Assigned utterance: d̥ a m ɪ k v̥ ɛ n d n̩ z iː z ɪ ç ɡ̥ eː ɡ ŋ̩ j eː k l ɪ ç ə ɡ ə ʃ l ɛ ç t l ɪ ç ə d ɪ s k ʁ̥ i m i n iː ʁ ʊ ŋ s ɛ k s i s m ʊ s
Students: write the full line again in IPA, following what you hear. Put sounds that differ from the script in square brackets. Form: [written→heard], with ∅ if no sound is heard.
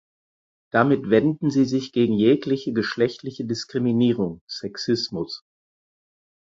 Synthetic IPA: d̥ a m ɪ [k→t] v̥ ɛ n d n̩ z iː z ɪ ç ɡ̥ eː ɡ ŋ̩ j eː k l ɪ ç ə ɡ ə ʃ l ɛ ç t l ɪ ç ə d ɪ s k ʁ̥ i m i n iː ʁ ʊ ŋ s ɛ k s [i→ɪ] s m ʊ s